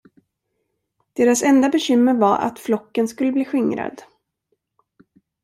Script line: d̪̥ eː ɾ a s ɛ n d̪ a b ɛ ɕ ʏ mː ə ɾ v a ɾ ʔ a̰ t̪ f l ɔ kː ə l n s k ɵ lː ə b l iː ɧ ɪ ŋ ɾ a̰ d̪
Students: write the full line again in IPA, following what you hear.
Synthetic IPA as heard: d̪̥ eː ɾ a s ɛ n d̪ a b ɛ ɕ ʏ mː ə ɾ v a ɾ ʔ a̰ t̪ f l ɔ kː ə n s k ɵ lː ə b l iː ɧ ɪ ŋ ɾ a̰ d̪